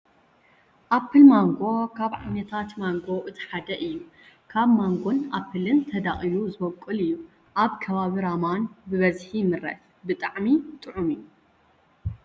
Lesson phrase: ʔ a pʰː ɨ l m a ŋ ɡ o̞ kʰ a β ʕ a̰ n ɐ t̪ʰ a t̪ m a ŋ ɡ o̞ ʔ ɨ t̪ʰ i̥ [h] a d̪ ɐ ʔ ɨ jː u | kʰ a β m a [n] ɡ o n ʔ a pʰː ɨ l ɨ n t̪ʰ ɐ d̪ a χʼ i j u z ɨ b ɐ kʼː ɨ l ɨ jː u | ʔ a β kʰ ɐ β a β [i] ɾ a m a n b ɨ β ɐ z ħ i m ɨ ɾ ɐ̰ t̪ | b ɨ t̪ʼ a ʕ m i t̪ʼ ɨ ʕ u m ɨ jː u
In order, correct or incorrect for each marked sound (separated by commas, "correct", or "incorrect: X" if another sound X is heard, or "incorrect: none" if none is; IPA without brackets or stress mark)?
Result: incorrect: ħ, incorrect: ŋ, correct